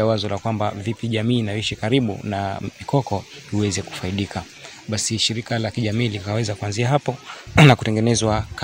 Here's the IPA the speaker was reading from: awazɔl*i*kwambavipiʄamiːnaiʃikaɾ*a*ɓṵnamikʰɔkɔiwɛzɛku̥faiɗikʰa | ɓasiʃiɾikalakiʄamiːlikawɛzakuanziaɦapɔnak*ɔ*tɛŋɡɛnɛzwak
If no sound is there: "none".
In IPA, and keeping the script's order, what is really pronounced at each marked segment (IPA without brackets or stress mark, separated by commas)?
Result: a, i, u